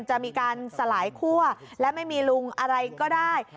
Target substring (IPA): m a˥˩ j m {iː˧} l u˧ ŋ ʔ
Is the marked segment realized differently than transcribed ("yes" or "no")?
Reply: no